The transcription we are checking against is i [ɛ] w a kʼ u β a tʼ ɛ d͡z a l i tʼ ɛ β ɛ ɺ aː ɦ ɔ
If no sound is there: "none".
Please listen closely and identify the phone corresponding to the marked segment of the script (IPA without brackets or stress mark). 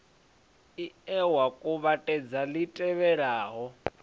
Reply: ɛ